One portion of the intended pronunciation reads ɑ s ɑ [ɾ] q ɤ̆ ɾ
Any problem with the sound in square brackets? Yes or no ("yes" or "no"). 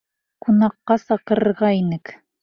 yes